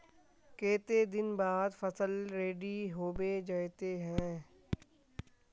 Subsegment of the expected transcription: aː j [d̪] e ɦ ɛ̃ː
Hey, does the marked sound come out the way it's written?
no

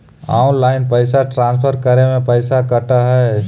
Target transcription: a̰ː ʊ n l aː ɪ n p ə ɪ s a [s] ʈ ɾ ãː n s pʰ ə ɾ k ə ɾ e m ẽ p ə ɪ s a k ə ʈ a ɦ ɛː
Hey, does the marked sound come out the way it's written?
no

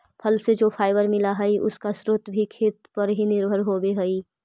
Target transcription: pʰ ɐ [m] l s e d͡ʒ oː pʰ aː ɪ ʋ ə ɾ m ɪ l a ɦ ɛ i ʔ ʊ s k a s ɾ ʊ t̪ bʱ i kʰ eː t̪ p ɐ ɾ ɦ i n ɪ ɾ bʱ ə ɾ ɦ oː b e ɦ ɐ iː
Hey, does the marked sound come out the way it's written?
no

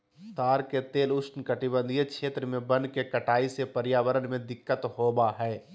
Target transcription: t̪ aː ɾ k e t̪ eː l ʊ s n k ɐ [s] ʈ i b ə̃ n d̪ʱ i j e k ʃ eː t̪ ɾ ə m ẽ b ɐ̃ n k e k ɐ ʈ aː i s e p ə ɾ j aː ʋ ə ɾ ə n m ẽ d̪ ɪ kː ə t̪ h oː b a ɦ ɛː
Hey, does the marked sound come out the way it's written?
no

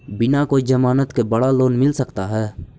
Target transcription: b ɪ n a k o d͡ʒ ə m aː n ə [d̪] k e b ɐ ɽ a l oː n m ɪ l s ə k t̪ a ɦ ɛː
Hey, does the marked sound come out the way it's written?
no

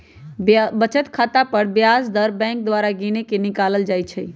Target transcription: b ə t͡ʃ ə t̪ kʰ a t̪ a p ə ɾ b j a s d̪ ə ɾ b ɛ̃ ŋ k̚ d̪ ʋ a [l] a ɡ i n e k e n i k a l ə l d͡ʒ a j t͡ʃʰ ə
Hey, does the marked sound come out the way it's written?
no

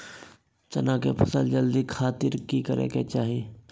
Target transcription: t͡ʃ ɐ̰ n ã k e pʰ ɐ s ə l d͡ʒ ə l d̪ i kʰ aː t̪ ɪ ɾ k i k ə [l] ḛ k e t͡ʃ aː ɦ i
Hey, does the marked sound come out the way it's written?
no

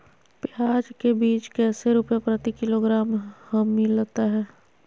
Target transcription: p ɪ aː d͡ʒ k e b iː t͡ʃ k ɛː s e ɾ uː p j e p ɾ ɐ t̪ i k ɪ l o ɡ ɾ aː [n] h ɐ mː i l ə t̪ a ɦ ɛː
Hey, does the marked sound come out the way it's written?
no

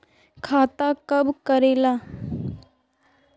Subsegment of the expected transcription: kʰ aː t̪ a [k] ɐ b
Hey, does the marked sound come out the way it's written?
yes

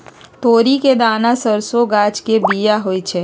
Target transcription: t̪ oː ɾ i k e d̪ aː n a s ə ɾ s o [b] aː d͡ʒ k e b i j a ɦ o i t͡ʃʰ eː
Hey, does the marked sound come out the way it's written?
no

